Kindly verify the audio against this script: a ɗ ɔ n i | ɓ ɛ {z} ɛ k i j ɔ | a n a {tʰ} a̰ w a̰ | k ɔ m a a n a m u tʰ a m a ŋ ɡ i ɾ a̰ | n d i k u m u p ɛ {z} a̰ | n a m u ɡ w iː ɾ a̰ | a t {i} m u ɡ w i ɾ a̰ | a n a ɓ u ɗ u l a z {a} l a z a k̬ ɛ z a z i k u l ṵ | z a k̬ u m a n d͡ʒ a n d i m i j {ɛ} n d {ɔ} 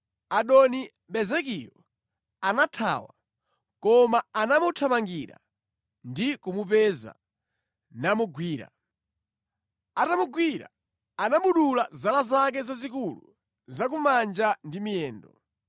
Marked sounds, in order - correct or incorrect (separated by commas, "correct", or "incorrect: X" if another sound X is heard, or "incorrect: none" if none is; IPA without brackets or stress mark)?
correct, correct, correct, incorrect: a, correct, incorrect: ɛː, correct